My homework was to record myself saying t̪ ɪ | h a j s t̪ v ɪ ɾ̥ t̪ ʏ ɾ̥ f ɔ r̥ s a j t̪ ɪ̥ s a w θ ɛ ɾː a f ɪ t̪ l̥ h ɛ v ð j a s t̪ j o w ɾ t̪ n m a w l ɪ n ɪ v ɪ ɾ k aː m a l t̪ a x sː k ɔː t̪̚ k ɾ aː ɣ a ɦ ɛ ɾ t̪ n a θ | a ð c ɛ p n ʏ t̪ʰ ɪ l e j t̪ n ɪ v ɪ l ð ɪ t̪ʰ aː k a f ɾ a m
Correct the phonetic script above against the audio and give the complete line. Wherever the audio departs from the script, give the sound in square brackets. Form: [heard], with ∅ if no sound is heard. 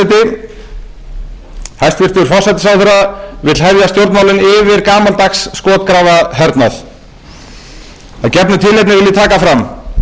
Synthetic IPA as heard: t̪ ɪ | h a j s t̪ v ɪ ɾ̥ t̪ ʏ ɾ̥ f ɔ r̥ s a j t̪ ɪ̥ s a w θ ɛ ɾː a [v] ɪ t̪ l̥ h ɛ v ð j a s t̪ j o w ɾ t̪ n m a w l ɪ n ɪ v ɪ ɾ k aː m a l t̪ a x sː k ɔː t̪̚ k ɾ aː [v] a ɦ ɛ ɾ t̪ n a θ | a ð c ɛ p n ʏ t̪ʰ ɪ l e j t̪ n ɪ v ɪ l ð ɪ t̪ʰ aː k a f ɾ a m